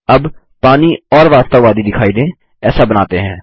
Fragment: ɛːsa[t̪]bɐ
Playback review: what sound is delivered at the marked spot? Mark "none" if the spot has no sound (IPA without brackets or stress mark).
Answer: none